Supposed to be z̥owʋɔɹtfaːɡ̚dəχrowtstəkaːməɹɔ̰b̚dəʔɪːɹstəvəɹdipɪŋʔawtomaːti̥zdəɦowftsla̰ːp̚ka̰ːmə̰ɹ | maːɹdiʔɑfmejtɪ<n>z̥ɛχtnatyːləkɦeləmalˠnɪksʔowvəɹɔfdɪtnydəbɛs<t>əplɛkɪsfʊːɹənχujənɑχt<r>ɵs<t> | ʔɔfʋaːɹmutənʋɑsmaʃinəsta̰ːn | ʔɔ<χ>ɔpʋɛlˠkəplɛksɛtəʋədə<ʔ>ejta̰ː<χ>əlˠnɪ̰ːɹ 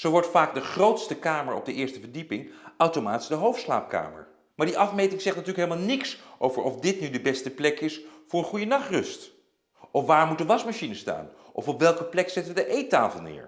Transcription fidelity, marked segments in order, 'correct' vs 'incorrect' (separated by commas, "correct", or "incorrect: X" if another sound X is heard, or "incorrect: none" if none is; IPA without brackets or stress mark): incorrect: ŋ, correct, correct, correct, incorrect: f, correct, incorrect: f